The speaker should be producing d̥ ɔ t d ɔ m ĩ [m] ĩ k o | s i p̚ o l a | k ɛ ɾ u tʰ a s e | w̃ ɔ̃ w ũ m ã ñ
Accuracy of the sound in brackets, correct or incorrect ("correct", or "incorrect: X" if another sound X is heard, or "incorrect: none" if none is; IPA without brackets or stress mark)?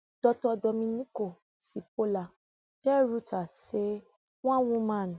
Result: incorrect: n